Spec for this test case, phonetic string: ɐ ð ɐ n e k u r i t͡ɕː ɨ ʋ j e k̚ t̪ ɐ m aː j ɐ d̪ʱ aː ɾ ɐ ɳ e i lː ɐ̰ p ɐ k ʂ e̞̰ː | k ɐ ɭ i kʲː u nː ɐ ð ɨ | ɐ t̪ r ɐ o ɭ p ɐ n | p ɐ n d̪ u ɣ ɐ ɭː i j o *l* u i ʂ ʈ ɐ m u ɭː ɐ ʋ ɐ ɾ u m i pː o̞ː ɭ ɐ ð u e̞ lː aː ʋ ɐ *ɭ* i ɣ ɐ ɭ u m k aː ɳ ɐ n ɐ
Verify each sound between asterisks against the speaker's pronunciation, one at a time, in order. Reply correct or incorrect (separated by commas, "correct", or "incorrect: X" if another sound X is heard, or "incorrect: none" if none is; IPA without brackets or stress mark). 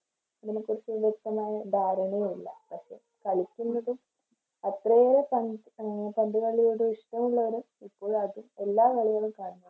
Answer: incorrect: ɽ, correct